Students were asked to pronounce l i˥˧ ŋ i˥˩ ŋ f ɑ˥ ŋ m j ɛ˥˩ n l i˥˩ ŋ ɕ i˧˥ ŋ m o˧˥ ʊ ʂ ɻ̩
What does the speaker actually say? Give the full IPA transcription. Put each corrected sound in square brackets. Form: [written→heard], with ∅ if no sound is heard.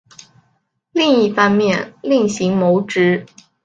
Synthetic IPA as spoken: l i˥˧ ŋ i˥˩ [ŋ→∅] f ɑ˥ ŋ m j ɛ˥˩ n l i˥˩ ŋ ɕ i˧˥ ŋ m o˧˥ ʊ [ʂ→ʈ͡ʂ] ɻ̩